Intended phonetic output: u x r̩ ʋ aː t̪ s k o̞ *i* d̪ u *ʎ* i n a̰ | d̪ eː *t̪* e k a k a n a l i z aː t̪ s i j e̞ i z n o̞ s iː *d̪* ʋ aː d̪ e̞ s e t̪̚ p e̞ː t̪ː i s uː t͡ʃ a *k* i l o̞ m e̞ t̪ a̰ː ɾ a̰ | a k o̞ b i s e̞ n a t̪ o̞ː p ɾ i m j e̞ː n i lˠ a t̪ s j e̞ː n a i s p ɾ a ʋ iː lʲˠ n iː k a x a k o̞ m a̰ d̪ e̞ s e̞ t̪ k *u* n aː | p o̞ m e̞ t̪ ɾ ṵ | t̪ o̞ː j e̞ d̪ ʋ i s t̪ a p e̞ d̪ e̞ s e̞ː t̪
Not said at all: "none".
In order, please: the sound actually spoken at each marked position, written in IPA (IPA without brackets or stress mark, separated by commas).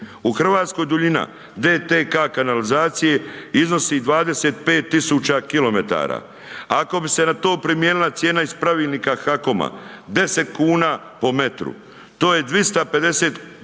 j, ʎ, t̪, d̪, k, uː